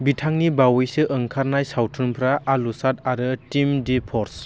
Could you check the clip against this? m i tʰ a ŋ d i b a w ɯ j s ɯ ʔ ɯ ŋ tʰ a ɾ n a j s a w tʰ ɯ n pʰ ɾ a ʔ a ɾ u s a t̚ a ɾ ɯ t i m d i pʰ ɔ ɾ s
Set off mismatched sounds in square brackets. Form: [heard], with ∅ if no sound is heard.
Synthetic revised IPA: [b] i tʰ a ŋ [n] i b a w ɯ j s ɯ ʔ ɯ ŋ [kʰ] a ɾ n a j s a w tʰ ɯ n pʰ ɾ a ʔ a [l] u s a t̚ a ɾ ɯ t i m d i pʰ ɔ ɾ s

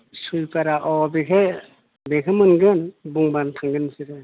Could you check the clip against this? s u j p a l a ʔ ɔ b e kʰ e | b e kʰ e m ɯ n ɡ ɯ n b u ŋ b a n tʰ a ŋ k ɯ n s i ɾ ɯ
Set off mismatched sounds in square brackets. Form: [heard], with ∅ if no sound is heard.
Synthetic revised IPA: s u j p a [ɾ] a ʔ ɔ b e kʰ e | b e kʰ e m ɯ n ɡ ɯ n b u ŋ b a n tʰ a ŋ [ɡ] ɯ n s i ɾ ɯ

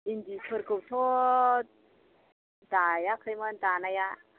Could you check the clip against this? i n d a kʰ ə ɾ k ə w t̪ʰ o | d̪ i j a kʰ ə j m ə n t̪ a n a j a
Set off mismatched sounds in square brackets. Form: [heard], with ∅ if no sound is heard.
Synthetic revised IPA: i n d [i] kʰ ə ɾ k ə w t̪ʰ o | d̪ [a] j a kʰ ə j m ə n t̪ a n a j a

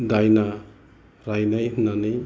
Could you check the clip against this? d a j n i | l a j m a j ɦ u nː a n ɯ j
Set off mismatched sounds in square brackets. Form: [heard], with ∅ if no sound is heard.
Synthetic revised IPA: d a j n [a] | [ɾ] a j [n] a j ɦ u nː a n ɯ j

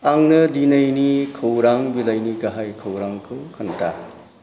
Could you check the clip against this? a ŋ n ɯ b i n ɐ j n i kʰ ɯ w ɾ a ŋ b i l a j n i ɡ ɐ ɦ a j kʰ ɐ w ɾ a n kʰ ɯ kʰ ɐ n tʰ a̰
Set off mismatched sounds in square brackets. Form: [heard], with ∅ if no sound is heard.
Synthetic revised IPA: a ŋ n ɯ [d] i n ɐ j n i kʰ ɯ w ɾ a ŋ b i l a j n i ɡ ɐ ɦ a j kʰ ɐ w ɾ a [ŋ] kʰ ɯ kʰ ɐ n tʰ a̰

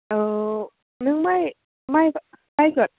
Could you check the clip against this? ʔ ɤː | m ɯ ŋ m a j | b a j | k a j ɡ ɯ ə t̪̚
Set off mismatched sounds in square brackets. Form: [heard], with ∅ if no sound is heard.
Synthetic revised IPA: ʔ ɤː | [n] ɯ ŋ m a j | [m] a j | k a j [k] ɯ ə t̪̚

